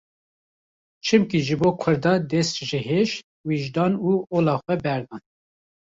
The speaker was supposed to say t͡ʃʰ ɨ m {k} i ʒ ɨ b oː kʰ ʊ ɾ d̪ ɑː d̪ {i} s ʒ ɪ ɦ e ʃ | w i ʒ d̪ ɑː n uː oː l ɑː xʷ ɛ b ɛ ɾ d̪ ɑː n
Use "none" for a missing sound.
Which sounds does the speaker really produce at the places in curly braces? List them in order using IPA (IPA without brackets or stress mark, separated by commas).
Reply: k, ɛ